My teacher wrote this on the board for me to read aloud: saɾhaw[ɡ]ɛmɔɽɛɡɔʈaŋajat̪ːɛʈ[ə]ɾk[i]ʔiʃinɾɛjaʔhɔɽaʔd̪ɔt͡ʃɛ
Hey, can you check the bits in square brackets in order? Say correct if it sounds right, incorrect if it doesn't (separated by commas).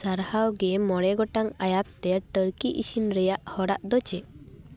correct, correct, correct